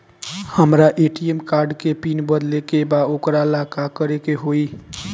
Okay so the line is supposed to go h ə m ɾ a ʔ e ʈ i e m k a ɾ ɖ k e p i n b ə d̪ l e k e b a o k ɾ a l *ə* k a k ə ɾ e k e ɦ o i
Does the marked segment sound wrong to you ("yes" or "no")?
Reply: yes